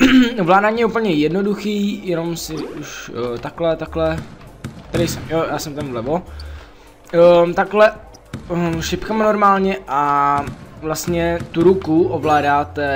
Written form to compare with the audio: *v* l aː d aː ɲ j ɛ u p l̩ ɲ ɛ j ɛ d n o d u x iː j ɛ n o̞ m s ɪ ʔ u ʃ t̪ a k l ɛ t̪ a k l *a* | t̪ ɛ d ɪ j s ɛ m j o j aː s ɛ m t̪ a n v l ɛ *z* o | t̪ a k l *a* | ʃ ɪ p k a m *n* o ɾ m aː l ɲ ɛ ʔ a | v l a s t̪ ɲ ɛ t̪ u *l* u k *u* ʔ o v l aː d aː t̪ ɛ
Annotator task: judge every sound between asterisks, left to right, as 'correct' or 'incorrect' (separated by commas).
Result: correct, incorrect, incorrect, incorrect, correct, incorrect, correct